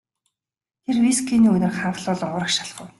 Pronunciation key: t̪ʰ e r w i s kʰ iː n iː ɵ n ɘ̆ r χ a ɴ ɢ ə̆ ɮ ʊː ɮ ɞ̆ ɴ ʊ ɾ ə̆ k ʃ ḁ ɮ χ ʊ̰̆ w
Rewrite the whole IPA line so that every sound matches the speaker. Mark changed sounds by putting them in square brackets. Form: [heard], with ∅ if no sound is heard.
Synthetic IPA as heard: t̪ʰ e r w i s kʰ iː n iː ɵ n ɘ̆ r χ a ɴ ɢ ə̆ ɮ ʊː ɮ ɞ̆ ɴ ʊ ɾ ə̆ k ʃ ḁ ɮ χ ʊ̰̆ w